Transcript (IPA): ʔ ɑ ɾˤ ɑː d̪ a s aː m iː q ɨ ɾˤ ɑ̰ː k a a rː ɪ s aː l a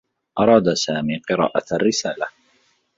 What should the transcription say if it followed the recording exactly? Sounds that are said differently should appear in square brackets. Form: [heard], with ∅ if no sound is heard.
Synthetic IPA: ʔ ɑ ɾˤ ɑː d̪ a s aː m iː q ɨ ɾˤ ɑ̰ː [ʔ] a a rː ɪ s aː l a